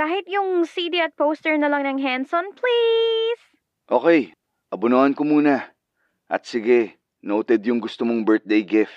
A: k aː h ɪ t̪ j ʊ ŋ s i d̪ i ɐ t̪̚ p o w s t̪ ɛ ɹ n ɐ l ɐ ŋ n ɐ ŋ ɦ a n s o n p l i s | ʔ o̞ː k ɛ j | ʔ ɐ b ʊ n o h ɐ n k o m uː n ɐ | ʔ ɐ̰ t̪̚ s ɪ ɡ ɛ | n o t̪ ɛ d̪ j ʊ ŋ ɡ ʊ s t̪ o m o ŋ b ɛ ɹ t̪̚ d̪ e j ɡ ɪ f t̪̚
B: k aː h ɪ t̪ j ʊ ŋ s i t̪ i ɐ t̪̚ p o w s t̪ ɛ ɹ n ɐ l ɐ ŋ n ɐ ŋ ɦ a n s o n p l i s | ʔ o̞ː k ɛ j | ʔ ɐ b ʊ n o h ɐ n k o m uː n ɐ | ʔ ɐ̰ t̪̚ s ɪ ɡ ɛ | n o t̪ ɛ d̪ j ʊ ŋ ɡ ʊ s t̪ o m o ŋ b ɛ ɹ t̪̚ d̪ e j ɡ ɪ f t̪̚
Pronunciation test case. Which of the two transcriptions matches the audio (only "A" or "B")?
A